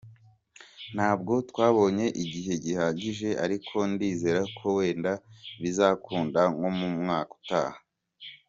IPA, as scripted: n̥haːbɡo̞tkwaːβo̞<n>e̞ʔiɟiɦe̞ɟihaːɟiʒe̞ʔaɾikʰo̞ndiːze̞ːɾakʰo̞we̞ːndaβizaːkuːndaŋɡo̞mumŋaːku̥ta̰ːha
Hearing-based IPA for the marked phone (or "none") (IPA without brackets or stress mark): ɲ